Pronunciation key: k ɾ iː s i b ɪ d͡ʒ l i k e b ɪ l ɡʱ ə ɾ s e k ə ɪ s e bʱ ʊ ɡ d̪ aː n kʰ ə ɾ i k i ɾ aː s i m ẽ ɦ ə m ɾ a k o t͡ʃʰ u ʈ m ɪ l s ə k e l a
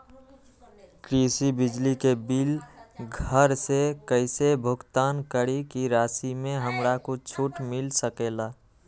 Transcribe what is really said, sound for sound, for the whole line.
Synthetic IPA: k ɾ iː s i b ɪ d͡ʒ l i k e b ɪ l ɡʱ ə ɾ s e k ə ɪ s e bʱ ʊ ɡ t̪ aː n k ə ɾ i k i ɾ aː s i m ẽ ɦ ə m ɾ a k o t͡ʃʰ u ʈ m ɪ l s ə k e l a